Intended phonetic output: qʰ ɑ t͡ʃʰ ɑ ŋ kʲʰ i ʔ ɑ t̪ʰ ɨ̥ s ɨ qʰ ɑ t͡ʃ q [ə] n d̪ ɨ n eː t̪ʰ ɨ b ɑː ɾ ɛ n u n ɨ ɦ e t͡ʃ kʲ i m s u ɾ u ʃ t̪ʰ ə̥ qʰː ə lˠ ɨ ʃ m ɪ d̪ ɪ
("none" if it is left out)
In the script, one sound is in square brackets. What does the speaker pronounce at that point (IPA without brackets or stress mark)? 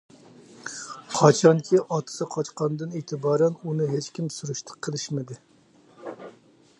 ɑ